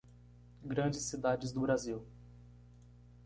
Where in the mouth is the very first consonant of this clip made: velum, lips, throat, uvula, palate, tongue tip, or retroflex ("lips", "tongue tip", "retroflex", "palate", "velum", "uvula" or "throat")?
velum